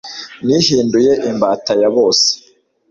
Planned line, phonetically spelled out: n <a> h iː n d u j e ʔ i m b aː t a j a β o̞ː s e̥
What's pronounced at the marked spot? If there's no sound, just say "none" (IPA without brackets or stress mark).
i